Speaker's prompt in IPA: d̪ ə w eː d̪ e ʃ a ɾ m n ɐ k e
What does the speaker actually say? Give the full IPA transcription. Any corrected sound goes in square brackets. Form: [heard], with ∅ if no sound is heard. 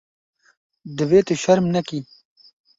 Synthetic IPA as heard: d̪ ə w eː [t̪] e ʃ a ɾ m n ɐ k [i]